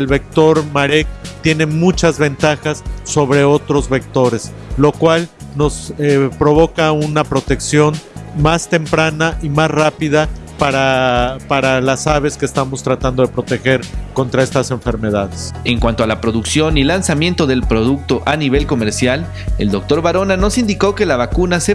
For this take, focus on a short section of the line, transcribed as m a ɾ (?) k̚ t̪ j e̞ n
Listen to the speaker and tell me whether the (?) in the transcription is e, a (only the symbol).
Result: e